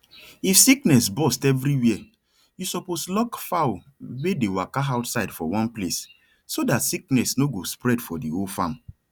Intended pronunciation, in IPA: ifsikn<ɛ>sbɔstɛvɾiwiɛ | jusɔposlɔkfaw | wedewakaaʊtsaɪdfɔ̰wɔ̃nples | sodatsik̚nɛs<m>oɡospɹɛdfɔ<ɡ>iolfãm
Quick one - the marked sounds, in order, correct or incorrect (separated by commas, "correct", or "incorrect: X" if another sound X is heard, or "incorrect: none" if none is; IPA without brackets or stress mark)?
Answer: correct, incorrect: n, incorrect: d